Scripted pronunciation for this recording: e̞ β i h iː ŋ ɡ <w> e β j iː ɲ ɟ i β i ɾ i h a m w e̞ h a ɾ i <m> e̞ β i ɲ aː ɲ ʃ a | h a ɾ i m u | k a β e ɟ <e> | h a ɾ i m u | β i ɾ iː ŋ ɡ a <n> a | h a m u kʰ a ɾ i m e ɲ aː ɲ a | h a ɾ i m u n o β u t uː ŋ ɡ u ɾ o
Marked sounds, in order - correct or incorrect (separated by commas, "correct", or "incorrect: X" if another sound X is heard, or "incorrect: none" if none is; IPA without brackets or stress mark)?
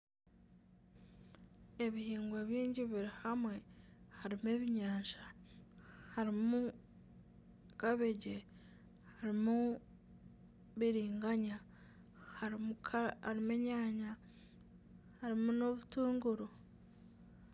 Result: correct, correct, correct, incorrect: ɲ